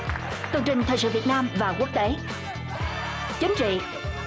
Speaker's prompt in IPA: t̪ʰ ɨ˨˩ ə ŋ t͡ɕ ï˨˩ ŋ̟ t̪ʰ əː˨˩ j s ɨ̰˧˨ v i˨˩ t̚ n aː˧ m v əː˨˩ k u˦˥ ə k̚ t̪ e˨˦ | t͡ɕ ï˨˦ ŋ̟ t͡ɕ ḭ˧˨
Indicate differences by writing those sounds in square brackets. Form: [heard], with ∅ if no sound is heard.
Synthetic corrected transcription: [t̪] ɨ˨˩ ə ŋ t͡ɕ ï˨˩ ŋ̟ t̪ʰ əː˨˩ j s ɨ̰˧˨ v i˨˩ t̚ n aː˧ m v [aː˨˩] k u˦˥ ə k̚ t̪ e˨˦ | t͡ɕ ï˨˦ ŋ̟ t͡ɕ ḭ˧˨